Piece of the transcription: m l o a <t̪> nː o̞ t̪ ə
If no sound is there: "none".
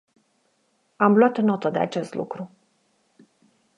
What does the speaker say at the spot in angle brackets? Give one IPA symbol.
t̪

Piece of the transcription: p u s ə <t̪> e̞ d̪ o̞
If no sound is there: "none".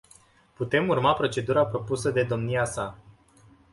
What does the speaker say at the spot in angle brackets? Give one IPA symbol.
d̪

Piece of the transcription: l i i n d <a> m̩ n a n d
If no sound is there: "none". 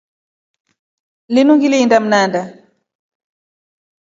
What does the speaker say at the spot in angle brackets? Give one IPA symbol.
a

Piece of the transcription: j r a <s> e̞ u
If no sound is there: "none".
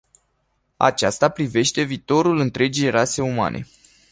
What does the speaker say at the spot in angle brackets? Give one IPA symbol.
s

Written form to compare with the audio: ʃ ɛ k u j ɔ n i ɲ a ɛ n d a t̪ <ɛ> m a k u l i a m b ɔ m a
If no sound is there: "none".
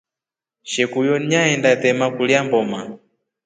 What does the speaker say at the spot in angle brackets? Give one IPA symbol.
ɛ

